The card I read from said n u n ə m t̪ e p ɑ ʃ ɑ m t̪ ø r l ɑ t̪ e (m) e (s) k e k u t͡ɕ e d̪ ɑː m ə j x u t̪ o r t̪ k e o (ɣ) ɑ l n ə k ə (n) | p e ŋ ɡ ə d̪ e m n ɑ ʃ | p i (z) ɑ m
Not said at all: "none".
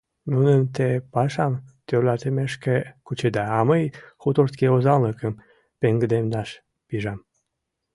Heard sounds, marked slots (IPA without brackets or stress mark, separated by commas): m, ʃ, z, m, ʒ